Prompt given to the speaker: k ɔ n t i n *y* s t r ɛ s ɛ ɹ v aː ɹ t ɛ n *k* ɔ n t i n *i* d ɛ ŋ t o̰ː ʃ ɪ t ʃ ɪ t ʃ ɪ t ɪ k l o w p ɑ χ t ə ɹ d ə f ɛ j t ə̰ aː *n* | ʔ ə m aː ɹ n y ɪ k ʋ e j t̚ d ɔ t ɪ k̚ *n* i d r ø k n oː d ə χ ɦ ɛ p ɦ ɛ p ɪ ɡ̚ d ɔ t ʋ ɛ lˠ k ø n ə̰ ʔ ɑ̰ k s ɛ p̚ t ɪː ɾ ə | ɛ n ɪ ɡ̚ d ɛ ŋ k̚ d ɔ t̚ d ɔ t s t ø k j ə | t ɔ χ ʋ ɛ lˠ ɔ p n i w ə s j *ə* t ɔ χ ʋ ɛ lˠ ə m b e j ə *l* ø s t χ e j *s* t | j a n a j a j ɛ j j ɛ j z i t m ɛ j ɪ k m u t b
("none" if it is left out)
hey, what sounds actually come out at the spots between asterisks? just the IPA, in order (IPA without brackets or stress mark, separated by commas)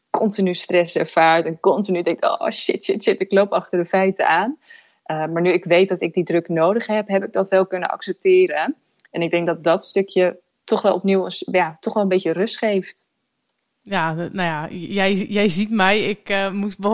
y, k, y, n, d, a, r, f